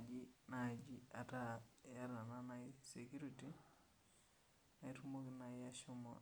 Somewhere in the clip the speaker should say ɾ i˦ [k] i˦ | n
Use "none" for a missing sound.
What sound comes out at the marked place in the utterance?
t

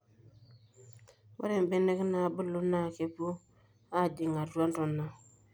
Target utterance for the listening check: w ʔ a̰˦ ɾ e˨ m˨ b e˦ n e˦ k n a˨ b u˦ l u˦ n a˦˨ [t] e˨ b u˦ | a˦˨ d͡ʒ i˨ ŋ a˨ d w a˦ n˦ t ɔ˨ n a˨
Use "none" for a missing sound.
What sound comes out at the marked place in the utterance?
k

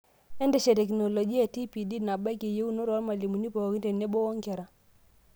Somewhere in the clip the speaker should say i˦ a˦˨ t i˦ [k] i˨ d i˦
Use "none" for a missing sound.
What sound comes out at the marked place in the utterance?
p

